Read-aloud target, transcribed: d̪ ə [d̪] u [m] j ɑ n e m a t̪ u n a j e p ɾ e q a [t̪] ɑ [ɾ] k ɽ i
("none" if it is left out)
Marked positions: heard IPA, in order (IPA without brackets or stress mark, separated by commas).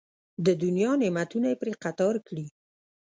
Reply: d̪, n, t̪, ɾ